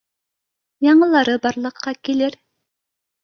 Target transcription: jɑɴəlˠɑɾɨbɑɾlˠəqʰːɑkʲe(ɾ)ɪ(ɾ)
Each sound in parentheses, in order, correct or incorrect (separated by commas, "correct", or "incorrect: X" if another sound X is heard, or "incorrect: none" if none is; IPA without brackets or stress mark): incorrect: l, correct